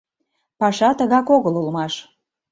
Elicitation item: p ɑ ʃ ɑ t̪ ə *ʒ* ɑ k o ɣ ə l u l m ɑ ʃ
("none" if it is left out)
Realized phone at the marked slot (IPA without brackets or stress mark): ɣ